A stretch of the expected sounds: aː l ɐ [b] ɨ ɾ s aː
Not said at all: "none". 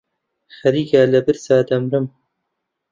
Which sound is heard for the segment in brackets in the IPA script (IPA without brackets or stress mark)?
b